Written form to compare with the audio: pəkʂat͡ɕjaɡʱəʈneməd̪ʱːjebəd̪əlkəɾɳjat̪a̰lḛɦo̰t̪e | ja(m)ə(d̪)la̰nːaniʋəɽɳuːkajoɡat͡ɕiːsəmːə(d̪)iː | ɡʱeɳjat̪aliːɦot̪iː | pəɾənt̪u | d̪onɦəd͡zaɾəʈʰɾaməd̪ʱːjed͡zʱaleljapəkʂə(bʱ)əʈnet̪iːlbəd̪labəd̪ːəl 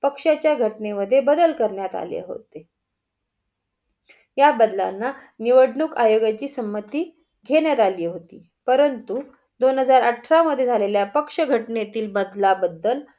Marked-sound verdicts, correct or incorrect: incorrect, correct, incorrect, incorrect

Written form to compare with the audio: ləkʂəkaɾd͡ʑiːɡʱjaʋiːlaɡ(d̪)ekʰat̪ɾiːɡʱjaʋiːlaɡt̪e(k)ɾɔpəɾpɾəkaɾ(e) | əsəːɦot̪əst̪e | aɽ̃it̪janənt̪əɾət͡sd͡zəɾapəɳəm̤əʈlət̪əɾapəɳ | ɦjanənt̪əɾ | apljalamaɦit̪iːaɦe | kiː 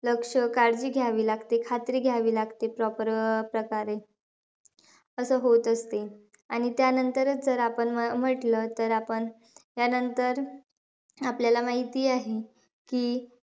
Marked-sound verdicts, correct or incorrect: incorrect, incorrect, correct

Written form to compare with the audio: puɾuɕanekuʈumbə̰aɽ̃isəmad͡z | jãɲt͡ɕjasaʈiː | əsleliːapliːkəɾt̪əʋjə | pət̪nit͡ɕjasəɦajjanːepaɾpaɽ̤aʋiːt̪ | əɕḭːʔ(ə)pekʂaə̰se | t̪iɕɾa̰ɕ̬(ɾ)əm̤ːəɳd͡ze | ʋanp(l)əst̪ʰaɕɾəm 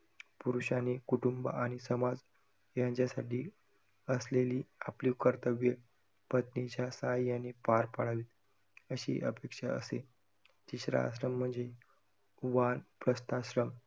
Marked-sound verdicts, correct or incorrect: correct, correct, incorrect

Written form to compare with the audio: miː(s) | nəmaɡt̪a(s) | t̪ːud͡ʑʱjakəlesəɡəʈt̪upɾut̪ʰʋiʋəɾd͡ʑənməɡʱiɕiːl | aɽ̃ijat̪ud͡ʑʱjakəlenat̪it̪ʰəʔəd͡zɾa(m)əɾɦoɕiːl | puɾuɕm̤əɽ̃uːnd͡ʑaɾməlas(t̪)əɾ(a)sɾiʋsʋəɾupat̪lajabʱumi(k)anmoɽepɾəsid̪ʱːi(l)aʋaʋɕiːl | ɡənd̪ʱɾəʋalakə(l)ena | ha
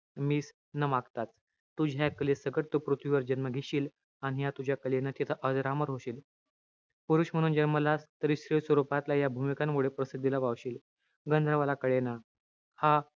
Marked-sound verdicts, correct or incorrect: correct, incorrect, correct, correct, incorrect, correct, correct, incorrect

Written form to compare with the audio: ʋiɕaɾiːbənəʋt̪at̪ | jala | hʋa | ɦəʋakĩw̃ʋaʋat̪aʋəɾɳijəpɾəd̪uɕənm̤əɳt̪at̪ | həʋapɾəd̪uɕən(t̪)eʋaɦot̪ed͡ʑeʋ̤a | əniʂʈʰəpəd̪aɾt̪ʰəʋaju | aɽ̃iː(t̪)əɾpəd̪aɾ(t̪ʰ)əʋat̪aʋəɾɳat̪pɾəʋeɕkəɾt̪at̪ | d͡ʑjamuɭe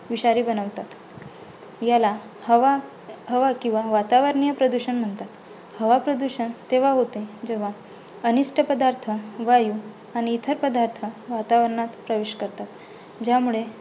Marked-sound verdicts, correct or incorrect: correct, incorrect, correct

